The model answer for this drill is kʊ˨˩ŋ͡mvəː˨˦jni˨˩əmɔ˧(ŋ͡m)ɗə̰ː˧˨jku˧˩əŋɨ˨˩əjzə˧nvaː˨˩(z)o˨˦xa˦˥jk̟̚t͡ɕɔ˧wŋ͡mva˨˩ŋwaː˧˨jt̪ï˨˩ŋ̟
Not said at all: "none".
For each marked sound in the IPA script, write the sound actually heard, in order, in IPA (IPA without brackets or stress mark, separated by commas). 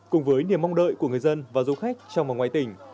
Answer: ŋ͡m, z